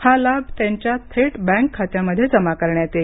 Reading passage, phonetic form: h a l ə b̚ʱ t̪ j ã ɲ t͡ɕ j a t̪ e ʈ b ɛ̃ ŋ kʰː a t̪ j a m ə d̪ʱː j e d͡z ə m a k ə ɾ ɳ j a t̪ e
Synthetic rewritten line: h a l a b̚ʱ t̪ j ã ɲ t͡ɕ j a t̪ʰ e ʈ b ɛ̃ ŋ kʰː a t̪ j a m ə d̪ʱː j e d͡z ə m a k ə ɾ ɳ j a t̪ e

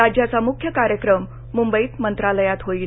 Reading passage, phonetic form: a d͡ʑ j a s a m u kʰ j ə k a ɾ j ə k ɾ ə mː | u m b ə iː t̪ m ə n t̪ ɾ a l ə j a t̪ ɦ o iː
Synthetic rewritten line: a d͡ʑ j a t͡s a m u kʰ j ə k a ɾ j ə k ɾ ə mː | u m b ə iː t̪ m ə n t̪ ɾ a l ə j a t̪ ɦ o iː

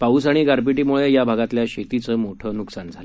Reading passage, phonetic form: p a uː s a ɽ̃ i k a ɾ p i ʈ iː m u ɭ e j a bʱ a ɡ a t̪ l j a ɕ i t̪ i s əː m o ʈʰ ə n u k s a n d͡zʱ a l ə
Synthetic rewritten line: p a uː s a ɽ̃ i ɡ a ɾ p i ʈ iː m u ɭ e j a bʱ a ɡ a t̪ l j a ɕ e t̪ i t͡s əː m o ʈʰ ə n u k s a n d͡zʱ a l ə

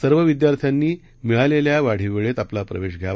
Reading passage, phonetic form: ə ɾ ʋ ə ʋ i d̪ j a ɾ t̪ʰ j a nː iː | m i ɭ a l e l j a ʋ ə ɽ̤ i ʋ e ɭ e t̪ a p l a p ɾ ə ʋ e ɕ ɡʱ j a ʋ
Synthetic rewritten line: ə ɾ ʋ ə ʋ i d̪ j a ɾ t̪ʰ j a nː iː | m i ɭ a l e l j a ʋ a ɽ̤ i ʋ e ɭ e t̪ a p l a p ɾ ə ʋ e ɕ ɡʱ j a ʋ

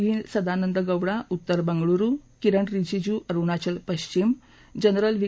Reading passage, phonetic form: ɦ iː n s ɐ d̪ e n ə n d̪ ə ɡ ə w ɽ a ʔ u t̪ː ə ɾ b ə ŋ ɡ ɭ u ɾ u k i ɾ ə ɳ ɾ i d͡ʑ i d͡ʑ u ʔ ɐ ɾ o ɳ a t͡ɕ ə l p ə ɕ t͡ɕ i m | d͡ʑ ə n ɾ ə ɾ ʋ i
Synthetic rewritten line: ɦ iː n s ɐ d̪ a n ə n d̪ ə ɡ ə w ɽ a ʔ u t̪ː ə ɾ b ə ŋ ɡ ɭ u ɾ u k i ɾ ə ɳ ɾ i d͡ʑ i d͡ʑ u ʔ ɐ ɾ u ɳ a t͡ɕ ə l p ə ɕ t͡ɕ i m | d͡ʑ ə n ɾ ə l ʋ i

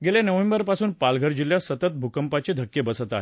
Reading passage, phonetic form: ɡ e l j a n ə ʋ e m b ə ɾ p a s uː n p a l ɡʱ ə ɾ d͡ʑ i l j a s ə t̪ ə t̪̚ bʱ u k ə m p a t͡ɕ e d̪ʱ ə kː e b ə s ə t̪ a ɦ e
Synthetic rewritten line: ɡ e l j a n ə ʋ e m b ə ɾ p a s uː n p a l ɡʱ ə ɾ d͡ʑ i l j a s ə t̪ ə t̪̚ bʱ u k ə m p a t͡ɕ e d̪ʱ ə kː e b ə s ə t̪ a ɦ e

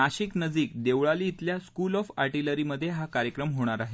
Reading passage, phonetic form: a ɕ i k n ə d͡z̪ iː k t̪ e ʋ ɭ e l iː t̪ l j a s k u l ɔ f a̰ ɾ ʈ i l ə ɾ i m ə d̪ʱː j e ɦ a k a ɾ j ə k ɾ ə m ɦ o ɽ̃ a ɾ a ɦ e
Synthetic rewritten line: a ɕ i k n ə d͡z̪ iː k d̪ e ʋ ɭ a l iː t̪ l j a s k u l ɔ f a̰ ɾ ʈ i l ə ɾ i m ə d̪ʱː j e ɦ a k a ɾ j ə k ɾ ə m ɦ o ɽ̃ a ɾ a ɦ e

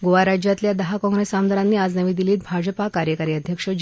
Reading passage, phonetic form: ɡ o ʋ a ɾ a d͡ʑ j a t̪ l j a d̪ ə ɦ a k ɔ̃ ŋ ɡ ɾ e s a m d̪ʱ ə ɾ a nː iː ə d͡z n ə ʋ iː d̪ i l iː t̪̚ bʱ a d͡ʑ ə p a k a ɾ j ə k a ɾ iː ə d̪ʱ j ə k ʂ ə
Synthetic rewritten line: ɡ o ʋ a ɾ a d͡ʑ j a t̪ l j a d̪ ə ɦ a k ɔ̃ ŋ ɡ ɾ e s a m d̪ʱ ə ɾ a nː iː a d͡z n ə ʋ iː d̪ i l iː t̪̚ bʱ a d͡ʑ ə p a k a ɾ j ə k a ɾ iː ə d̪ʱ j ə k ʂ ə

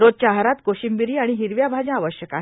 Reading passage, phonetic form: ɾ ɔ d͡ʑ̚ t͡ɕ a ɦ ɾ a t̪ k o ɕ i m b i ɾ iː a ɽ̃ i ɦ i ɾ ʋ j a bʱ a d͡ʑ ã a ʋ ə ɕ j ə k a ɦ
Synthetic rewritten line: ɾ o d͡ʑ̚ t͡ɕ a ɦ ɾ a t̪ k o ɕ i m b i ɾ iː a ɽ̃ i ɦ i ɾ ʋ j a bʱ a d͡ʑ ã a ʋ ə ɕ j ə k a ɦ

